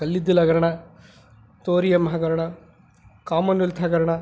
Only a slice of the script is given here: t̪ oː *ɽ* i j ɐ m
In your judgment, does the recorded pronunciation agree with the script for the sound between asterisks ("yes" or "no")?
no